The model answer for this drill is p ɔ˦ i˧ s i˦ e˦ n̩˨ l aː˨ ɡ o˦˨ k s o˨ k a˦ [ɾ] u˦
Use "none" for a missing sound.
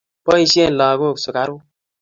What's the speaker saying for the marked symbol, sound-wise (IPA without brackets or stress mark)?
ɾ